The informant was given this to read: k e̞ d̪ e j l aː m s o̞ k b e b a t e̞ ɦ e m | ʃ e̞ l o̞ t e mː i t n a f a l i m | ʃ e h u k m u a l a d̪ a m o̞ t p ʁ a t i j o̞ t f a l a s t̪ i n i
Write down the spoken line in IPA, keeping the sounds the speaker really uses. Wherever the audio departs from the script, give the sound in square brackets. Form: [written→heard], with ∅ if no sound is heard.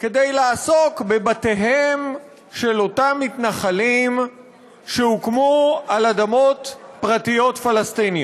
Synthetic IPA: k e̞ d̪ e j l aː [m→∅] s o̞ k b e b a t e̞ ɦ e m | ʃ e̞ l o̞ t [e→a] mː i t n a [f→χ] a l i m | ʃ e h u k m u a l a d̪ a m o̞ t p ʁ a t i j o̞ t f a l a s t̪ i n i

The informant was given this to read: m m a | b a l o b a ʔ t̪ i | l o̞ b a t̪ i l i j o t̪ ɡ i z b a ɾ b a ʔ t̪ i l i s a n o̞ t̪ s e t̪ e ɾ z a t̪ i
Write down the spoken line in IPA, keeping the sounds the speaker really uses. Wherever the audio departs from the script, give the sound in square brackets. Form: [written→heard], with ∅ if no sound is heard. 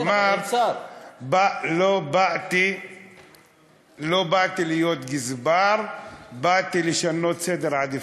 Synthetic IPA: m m a | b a l o b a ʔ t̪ i | l o̞ b a t̪ i l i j o t̪ ɡ i z b a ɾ b a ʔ t̪ i l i [s→ʃ] a n o̞ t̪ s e [t̪→d̪] e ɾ [z→ʕ] a [t̪→d̪] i

